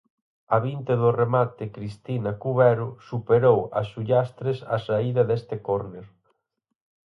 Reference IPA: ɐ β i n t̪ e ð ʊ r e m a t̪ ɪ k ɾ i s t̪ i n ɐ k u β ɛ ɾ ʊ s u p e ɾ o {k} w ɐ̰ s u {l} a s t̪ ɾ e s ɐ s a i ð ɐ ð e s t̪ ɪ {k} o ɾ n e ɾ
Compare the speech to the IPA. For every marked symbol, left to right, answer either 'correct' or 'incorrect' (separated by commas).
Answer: incorrect, incorrect, correct